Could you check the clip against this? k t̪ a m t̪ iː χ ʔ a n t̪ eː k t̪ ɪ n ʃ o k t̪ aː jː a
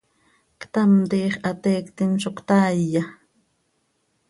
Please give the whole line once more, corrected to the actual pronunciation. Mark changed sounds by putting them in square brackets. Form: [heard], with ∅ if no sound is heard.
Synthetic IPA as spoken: k t̪ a m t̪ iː χ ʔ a [∅] t̪ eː k t̪ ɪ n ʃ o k t̪ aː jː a